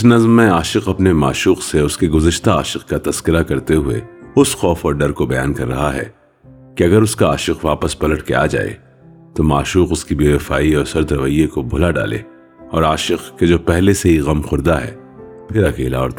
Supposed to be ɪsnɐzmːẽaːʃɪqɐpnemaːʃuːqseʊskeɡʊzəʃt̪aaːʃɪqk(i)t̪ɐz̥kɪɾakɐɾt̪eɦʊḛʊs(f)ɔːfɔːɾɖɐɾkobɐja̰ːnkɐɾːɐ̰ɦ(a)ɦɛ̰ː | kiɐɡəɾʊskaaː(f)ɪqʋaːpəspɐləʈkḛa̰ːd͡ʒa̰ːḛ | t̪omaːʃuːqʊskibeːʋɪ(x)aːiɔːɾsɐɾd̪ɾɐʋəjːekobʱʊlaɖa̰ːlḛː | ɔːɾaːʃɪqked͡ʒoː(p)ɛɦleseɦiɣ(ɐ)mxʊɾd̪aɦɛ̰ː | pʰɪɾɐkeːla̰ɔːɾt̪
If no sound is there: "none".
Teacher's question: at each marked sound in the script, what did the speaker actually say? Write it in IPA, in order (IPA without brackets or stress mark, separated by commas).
a, x, a, ʃ, f, p, ɐ